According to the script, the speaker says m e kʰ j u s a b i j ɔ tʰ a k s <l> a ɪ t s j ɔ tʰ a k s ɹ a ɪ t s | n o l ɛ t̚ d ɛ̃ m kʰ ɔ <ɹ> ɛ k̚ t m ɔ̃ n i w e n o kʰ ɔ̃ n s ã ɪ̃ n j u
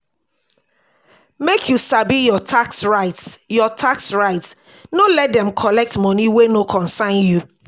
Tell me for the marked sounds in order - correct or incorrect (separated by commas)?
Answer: incorrect, incorrect